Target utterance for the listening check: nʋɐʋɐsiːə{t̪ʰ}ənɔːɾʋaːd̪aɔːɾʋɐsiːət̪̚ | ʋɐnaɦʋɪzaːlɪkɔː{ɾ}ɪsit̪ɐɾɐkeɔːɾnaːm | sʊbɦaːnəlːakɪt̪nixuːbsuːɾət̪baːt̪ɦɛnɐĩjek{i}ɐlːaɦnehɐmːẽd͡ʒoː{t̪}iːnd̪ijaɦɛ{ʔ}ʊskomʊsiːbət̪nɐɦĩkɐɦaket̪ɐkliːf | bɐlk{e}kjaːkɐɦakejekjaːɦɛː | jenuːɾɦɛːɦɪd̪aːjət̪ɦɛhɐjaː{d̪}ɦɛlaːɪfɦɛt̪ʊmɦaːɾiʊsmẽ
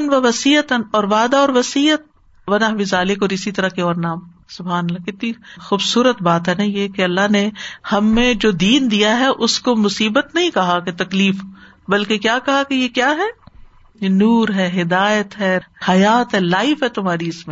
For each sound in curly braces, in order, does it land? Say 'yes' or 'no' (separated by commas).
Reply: no, yes, no, no, yes, yes, no